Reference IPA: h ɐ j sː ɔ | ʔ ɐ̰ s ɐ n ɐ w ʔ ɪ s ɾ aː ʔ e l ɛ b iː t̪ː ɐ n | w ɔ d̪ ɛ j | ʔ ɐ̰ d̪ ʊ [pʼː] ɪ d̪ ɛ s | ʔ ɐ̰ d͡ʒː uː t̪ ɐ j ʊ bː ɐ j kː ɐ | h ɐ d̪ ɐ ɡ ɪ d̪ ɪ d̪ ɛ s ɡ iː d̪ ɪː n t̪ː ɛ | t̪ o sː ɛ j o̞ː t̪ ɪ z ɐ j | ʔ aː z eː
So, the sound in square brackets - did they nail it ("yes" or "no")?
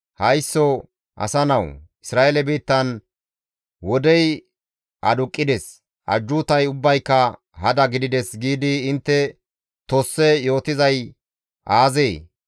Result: no